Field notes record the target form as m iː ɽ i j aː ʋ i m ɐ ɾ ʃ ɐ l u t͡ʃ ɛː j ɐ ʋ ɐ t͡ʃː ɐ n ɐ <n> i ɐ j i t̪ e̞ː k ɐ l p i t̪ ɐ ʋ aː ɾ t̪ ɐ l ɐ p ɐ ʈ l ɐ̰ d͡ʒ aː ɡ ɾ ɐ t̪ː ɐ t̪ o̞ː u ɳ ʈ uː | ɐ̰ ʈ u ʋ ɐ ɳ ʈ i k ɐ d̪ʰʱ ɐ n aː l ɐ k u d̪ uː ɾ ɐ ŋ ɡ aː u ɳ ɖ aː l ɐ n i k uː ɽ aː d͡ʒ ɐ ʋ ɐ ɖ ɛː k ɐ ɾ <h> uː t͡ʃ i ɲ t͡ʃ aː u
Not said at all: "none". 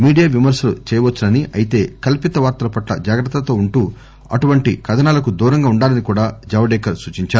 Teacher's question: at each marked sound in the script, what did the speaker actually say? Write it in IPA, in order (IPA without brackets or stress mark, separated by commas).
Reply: n, s